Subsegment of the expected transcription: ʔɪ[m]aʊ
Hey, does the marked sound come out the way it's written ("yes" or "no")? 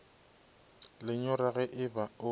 no